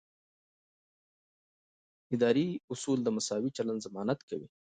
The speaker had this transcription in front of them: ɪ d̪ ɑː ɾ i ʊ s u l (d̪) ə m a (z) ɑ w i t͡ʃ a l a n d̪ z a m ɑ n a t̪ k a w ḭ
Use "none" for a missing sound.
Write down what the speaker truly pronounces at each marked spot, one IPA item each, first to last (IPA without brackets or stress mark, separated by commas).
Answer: d̪, s